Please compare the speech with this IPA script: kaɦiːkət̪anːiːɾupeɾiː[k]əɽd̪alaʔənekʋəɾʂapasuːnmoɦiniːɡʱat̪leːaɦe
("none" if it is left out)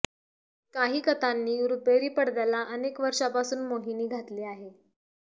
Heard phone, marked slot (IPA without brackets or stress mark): p